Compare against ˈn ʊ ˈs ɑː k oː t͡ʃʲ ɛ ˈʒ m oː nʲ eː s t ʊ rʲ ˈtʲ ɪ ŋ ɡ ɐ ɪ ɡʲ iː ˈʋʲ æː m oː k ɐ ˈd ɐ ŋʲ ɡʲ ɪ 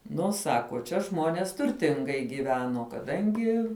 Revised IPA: ˈn ʊ ˈs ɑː k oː t͡ʃʲ ɛ ˈʒ m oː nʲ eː s t ʊ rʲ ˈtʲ ɪ ŋ ɡ ɐ ɪ ɡʲ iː ˈʋʲ æː n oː k ɐ ˈd ɐ ŋʲ ɡʲ ɪ

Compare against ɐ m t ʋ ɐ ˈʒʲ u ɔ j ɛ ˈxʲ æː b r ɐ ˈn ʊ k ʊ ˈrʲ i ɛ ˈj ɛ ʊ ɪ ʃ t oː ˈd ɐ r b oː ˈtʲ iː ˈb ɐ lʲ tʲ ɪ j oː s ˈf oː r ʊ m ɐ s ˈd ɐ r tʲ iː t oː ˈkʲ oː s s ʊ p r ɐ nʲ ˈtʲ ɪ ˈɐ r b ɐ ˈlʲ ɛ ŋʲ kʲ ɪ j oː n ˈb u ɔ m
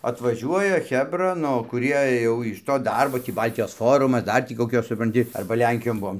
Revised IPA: ɐ t ʋ ɐ ˈʒʲ u ɔ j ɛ ˈxʲ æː b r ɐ ˈn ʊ k ʊ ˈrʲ i ɛ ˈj ɛ ʊ ɪ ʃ t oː ˈd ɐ r b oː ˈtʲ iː ˈb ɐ lʲ tʲ ɪ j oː s ˈf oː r ʊ m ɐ s ˈd ɐ r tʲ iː k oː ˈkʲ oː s s ʊ p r ɐ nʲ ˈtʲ ɪ ˈɐ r b ɐ ˈlʲ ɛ ŋʲ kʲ ɪ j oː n ˈb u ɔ m

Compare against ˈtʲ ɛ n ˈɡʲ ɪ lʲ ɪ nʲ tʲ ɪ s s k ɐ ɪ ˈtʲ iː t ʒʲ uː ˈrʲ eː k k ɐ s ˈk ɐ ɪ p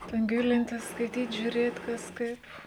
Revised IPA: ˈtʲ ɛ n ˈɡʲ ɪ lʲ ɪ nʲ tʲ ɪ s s k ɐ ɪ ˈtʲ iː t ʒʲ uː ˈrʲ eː t k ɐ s ˈk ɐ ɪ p

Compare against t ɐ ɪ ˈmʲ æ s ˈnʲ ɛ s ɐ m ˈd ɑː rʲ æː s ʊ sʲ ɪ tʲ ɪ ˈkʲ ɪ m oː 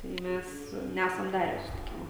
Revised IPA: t ɐ ɪ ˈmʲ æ s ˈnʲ æ s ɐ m ˈd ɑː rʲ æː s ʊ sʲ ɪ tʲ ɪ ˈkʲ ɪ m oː

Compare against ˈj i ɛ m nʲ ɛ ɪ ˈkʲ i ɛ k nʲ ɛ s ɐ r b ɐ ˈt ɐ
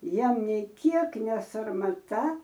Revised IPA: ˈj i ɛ m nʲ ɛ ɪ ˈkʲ i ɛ k nʲ ɛ s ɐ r m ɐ ˈt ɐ

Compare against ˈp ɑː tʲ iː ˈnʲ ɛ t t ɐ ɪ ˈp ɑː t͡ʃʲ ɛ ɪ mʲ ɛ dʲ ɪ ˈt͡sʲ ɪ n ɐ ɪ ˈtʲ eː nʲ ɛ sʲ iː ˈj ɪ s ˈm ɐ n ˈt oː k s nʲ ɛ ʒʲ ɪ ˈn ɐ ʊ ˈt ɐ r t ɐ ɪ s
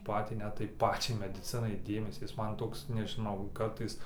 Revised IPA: ˈp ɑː tʲ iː ˈnʲ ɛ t t ɐ ɪ ˈp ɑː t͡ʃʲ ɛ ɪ mʲ ɛ dʲ ɪ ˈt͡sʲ ɪ n ɐ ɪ ˈdʲ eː mʲ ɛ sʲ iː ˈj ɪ s ˈm ɐ n ˈt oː k s nʲ ɛ ʒʲ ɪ ˈn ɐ ʊ ˈk ɐ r t ɐ ɪ s

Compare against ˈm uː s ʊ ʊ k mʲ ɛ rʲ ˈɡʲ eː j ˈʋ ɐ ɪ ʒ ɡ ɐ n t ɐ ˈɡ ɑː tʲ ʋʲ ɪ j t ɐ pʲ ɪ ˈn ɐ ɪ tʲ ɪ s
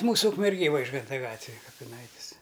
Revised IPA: ˈm uː s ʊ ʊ k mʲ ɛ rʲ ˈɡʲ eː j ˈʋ ɐ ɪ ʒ ɡ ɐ n t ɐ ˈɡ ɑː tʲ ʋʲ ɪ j k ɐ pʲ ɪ ˈn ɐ ɪ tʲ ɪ s

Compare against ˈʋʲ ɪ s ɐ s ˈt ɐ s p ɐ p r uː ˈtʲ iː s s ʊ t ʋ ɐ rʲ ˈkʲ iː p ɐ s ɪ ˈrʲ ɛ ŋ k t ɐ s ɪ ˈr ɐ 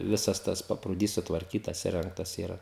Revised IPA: ˈʋʲ ɪ s ɐ s ˈt ɐ s p ɐ p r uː ˈdʲ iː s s ʊ t ʋ ɐ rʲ ˈkʲ iː t ɐ s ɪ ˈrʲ ɛ ŋ k t ɐ s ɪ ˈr ɐ

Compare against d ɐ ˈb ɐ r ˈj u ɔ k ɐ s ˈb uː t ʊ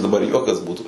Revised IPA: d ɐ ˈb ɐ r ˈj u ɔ k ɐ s ˈb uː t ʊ

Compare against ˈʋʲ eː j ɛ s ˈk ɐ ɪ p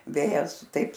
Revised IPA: ˈʋʲ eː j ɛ s ˈt ɐ ɪ p

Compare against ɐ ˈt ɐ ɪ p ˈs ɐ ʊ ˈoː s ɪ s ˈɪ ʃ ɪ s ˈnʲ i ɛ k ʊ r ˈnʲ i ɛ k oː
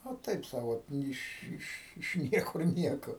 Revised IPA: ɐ ˈt ɐ ɪ p ˈs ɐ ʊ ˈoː t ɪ ʃ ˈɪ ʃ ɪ ʃ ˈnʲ i ɛ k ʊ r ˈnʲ i ɛ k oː

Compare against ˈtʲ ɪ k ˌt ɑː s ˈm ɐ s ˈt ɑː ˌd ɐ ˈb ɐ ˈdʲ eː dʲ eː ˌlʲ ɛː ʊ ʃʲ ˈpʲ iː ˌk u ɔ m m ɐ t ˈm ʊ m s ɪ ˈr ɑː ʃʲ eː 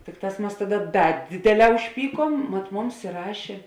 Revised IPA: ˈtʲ ɪ k ˌt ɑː s ˈm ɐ s ˈt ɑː ˌd ɐ ˈd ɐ ˈdʲ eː dʲ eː ˌlʲ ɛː ʊ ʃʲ ˈpʲ iː ˌk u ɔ m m ɐ t ˈm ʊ m s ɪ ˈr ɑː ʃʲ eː

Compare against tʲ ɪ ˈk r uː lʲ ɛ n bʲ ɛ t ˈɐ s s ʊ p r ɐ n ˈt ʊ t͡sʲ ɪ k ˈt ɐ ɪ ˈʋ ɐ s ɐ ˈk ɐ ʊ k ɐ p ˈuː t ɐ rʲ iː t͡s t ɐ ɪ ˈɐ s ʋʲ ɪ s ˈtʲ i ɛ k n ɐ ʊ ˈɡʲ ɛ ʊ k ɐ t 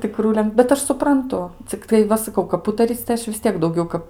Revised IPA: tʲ ɪ ˈk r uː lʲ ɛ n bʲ ɛ t ˈɐ ʃ s ʊ p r ɐ n ˈt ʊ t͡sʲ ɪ k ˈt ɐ ɪ ˈʋ ɐ s ɐ ˈk ɐ ʊ k ɐ p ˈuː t ɐ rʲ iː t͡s t ɐ ɪ ˈɐ ʃ ʋʲ ɪ s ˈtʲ i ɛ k d ɐ ʊ ˈɡʲ ɛ ʊ k ɐ p

